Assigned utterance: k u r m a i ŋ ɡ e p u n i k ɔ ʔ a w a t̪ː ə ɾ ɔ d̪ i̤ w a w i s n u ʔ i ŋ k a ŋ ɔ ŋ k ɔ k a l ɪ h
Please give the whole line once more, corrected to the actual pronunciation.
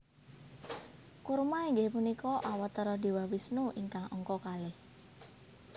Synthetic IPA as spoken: k u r m a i ŋ ɡ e p u n i k ɔ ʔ a w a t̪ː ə ɾ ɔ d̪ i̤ w a w i s n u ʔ i ŋ k a ŋ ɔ ŋ k ɔ k a l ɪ h